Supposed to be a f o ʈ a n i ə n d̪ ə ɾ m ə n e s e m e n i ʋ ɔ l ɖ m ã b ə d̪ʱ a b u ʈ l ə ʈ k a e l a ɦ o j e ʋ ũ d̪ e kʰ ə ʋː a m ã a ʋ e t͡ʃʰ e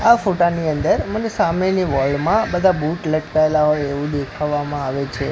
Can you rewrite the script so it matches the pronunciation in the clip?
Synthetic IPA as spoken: a f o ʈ a n i ə n d̪ ə ɾ m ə n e s a m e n i ʋ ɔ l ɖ m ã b ə d̪ʱ a b u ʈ l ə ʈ k a e l a ɦ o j e ʋ ũ d̪ e kʰ a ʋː a m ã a ʋ e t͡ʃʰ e